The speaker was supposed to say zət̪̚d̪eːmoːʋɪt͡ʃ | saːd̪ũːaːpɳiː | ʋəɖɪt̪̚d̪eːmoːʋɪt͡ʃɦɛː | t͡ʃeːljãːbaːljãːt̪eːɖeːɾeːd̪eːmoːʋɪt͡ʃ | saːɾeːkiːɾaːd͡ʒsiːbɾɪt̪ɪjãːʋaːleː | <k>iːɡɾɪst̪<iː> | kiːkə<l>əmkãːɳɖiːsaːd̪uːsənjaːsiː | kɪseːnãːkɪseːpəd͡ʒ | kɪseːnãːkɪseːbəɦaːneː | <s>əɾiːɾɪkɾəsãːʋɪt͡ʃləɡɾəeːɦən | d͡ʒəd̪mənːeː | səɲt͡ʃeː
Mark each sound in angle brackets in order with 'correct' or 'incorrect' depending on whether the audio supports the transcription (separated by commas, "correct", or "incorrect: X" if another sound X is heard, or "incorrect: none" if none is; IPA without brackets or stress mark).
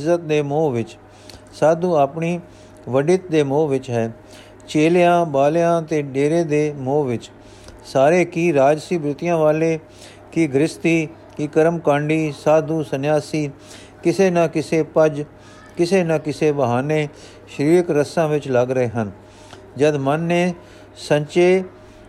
correct, correct, incorrect: ɾ, incorrect: ʃ